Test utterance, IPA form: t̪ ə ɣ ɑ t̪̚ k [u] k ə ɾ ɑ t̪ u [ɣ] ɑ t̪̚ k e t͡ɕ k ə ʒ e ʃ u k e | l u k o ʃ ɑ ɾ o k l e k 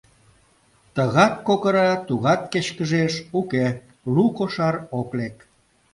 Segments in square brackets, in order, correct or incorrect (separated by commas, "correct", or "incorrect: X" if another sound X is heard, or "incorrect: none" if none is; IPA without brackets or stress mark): incorrect: o, correct